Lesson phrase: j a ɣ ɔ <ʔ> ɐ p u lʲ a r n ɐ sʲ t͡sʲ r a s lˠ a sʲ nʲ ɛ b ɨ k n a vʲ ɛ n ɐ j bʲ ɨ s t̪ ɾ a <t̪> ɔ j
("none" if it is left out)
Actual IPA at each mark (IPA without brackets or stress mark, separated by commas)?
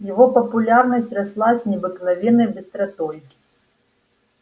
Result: p, t̪